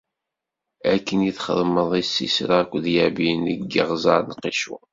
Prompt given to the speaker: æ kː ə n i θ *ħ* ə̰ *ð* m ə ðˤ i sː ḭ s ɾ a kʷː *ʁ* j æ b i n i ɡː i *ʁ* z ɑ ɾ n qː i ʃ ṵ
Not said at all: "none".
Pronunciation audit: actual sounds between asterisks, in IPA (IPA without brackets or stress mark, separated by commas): χ, ð, ð, ʁ